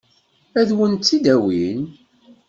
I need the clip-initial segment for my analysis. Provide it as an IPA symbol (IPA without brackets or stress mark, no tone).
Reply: æ